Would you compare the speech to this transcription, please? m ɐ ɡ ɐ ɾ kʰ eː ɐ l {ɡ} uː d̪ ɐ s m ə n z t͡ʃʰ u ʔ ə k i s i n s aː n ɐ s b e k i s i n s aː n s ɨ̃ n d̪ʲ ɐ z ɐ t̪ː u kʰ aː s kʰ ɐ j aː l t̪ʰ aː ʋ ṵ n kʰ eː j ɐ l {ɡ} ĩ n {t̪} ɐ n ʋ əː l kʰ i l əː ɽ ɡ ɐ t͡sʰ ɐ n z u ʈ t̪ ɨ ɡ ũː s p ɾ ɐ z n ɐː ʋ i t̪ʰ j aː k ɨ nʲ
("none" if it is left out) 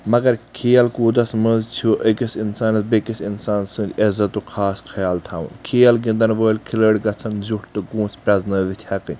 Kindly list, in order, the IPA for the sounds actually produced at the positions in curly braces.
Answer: k, ɡ, d̪

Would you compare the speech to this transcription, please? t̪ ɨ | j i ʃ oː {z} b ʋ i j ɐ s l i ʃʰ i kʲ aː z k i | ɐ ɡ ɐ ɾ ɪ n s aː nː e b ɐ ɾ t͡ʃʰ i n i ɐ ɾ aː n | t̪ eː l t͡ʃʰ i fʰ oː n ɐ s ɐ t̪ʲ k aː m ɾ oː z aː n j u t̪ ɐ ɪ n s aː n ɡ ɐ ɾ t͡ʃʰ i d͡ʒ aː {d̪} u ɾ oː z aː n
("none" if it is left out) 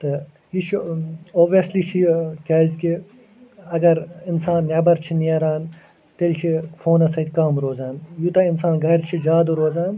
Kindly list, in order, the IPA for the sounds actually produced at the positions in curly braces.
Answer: none, d̪

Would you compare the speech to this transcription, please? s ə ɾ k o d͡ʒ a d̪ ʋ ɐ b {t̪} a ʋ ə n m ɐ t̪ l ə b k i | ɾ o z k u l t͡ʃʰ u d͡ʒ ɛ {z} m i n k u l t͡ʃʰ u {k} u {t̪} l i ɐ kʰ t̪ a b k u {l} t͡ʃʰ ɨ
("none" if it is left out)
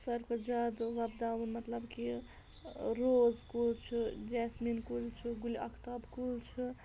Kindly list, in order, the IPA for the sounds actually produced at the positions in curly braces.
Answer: d̪, s, ɡ, none, l

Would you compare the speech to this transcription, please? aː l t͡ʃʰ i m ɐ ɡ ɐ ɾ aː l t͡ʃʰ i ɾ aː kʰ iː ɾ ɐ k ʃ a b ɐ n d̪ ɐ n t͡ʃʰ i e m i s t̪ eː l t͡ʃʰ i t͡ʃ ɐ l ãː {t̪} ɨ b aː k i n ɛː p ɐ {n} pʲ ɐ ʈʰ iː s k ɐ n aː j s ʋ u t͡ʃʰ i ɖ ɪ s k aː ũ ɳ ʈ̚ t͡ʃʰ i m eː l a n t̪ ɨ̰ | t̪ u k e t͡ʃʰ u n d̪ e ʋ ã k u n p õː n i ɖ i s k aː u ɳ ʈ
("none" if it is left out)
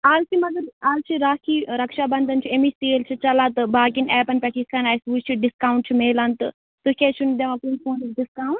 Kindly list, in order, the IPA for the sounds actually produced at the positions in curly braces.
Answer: t̪, n

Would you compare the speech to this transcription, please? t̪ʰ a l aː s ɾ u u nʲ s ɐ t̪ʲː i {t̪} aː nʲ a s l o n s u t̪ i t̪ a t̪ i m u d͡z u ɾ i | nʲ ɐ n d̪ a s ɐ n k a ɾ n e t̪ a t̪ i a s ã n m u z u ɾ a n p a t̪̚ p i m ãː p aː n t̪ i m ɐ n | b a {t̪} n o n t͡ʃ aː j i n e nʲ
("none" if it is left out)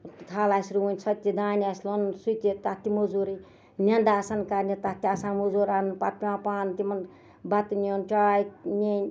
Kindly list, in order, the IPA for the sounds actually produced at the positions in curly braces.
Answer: d̪, t̪

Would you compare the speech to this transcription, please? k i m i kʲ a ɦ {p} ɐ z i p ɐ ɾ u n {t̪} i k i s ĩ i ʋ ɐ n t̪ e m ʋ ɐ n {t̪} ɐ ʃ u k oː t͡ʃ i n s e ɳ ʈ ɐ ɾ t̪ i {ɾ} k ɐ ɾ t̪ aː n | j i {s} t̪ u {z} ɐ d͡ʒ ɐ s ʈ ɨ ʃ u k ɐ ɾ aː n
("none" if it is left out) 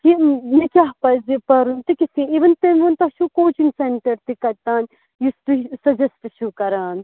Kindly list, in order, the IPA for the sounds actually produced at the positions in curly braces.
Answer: p, t̪, t̪, none, s, s

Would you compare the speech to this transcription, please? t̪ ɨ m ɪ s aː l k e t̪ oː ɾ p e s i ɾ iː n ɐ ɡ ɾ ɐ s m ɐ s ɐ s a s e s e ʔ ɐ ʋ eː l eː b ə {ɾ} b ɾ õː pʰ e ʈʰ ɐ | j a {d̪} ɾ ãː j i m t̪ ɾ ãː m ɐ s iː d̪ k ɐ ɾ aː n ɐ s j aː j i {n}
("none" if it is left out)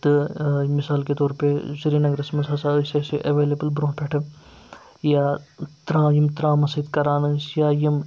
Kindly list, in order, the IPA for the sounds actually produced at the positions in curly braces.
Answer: l, t̪, m

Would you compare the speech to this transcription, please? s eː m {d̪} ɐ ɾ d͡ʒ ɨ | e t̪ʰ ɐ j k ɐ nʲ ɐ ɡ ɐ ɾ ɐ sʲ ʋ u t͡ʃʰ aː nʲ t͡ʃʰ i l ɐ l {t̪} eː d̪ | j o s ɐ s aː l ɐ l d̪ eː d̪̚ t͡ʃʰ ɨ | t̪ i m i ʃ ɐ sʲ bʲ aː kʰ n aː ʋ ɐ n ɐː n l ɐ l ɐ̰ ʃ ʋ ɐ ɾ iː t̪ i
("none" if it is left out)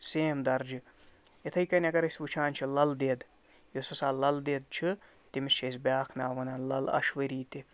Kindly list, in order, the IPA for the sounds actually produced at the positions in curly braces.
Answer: d̪, d̪

